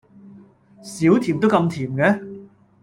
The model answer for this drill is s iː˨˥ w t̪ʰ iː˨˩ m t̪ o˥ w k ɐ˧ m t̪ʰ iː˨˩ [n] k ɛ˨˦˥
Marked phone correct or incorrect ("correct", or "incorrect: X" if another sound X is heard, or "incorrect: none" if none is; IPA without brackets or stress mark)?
incorrect: m